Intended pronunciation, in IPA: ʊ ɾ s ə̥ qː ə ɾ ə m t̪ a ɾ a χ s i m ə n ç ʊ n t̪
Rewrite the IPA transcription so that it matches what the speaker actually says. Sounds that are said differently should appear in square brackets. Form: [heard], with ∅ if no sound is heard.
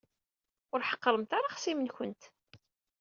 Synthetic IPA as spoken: ʊ ɾ [ħ] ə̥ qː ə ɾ ə m t̪ a ɾ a χ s i m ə n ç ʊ n t̪